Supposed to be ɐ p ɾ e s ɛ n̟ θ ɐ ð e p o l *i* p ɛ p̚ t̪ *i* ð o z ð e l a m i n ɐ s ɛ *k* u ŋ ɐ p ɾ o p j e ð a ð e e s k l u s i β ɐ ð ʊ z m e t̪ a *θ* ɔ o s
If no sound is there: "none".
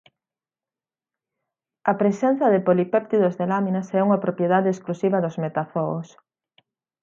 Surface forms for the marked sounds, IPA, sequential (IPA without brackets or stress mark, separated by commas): i, i, none, θ